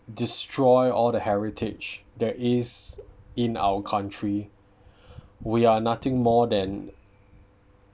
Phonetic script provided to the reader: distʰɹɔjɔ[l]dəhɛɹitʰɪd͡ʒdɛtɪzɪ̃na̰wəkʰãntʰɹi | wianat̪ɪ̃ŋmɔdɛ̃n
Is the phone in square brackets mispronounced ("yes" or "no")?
no